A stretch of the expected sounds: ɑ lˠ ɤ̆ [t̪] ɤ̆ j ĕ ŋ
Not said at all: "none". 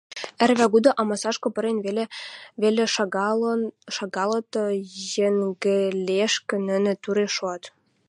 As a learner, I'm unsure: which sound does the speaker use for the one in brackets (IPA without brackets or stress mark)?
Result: t̪